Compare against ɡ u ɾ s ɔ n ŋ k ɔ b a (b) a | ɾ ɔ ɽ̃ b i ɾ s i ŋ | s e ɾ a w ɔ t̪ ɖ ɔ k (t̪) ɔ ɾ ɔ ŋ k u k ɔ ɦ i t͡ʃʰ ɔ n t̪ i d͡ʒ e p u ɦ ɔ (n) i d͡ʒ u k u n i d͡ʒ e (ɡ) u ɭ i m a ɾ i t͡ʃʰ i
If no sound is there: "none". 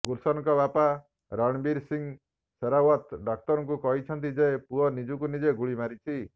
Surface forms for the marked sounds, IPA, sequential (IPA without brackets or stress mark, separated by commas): p, t̪, n, ɡ